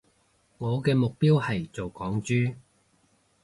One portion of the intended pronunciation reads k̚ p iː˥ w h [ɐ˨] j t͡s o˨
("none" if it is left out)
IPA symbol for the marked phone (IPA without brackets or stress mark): ɐ˨